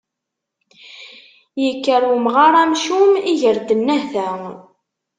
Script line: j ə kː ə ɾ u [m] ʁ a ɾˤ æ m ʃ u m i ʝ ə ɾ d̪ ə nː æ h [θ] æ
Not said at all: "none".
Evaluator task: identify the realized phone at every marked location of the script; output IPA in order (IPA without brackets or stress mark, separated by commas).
m, θ